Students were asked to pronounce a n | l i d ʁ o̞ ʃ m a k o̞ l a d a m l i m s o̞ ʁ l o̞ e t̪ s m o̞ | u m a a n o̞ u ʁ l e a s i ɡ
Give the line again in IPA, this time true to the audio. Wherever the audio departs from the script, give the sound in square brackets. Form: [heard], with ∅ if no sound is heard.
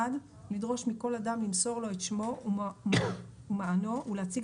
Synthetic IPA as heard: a [d] | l i d ʁ o̞ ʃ m [i] k o̞ l a d a m l i m s o̞ ʁ l o̞ e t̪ [ʃ] m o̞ | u m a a n o̞ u [∅] l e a [t͡s] i ɡ